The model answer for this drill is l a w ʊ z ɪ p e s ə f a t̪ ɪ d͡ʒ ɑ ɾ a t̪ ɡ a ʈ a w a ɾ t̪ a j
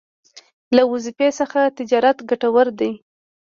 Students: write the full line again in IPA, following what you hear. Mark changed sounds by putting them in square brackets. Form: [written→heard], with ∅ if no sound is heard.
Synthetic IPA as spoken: l a w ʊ z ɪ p e s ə [f→x] a t̪ ɪ d͡ʒ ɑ ɾ a t̪ ɡ a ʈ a w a ɾ [t̪→d̪] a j